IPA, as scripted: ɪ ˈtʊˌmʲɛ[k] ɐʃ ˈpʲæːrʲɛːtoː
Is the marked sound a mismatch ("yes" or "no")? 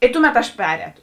yes